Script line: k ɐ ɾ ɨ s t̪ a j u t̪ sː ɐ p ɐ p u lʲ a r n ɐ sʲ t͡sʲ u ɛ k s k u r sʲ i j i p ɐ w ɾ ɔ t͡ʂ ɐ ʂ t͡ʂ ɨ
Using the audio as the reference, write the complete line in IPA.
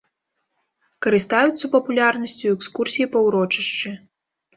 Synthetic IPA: k ɐ ɾ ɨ s t̪ a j u t̪ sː ɐ p ɐ p u lʲ a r n ɐ sʲ t͡sʲ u ɛ k s k u r sʲ i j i p ɐ w ɾ ɔ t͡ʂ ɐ ʂ t͡ʂ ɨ